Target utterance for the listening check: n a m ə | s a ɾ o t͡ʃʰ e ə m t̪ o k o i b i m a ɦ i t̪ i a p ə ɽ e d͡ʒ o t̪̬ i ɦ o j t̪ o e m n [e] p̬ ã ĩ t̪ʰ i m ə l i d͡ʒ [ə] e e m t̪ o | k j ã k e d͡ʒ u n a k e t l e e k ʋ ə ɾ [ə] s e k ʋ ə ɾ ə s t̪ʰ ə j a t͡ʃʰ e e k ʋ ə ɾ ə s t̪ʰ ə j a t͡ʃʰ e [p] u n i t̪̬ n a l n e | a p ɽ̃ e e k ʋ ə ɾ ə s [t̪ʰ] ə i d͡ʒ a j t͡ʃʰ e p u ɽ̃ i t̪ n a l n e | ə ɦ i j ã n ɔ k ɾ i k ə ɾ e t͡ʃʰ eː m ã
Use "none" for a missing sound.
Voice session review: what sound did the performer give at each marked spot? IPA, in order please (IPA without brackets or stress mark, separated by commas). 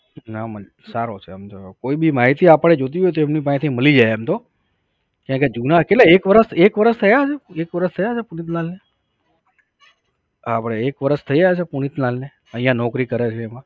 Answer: i, a, ə, p, t̪ʰ